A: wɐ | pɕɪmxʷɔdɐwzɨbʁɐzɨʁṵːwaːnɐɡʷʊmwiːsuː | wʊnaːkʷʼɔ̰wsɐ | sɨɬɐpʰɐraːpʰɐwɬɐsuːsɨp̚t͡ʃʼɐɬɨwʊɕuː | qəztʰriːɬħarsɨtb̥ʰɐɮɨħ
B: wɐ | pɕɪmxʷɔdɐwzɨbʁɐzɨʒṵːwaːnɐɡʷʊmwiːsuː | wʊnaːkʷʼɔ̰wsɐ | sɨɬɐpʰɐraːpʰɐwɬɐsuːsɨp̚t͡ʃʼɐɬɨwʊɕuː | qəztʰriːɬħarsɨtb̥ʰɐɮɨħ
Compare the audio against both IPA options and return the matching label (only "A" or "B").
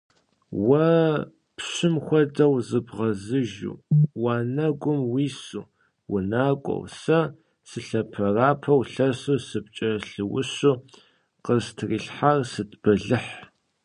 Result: B